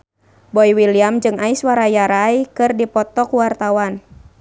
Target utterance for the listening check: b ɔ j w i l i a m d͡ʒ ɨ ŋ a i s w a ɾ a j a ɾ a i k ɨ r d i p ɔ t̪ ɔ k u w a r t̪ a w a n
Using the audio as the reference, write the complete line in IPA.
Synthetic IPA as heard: b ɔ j w i l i a m d͡ʒ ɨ ŋ a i s w a ɾ a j a ɾ a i k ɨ r d i p ɔ t̪ ɔ k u w a r t̪ a w a n